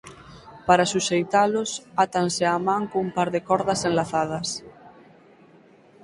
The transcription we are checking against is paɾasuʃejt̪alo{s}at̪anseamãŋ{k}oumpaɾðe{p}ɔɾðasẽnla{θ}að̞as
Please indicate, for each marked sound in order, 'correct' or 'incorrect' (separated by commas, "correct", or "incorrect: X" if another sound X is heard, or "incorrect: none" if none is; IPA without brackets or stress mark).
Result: correct, correct, incorrect: k, correct